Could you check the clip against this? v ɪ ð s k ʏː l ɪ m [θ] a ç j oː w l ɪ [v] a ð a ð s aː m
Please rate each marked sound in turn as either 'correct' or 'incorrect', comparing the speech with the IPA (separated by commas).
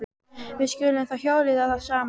correct, incorrect